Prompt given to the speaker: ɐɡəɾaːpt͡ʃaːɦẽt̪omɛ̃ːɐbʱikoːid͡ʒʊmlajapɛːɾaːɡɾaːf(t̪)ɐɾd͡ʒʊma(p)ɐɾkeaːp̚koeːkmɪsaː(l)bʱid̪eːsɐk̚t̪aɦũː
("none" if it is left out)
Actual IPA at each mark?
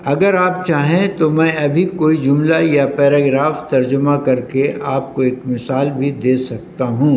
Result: t̪, k, l

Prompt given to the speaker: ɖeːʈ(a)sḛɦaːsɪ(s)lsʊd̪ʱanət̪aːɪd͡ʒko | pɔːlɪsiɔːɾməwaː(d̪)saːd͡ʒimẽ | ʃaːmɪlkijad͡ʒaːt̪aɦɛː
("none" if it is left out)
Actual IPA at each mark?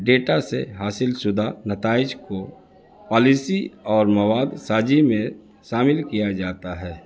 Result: a, none, d̪

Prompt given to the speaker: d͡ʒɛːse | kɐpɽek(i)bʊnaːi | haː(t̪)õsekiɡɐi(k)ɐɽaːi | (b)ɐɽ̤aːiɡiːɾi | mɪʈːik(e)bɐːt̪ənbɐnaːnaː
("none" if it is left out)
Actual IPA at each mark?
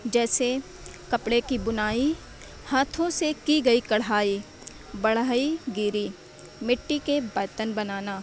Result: i, t̪ʰ, k, b, e

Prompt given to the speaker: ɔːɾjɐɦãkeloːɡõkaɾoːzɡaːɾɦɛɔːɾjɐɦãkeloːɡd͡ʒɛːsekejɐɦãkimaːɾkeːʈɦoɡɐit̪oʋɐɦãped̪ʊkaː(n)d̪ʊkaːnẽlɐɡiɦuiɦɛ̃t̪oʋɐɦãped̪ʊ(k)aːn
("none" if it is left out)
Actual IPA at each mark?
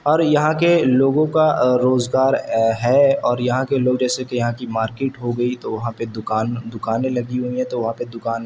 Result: n, k

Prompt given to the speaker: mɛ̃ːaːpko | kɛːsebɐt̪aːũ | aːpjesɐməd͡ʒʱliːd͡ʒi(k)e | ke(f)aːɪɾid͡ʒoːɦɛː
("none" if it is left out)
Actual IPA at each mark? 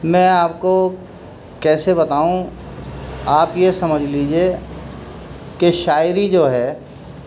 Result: none, ʃ

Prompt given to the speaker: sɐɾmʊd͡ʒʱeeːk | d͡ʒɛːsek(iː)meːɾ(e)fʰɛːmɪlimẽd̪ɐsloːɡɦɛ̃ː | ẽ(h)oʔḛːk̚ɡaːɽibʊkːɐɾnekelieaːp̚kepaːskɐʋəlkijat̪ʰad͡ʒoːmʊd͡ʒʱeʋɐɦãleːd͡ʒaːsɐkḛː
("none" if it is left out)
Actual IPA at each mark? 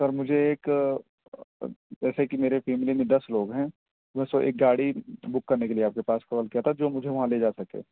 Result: i, e, s

